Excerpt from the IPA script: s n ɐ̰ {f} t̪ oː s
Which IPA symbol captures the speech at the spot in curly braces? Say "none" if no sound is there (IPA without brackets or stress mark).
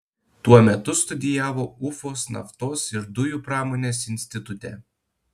f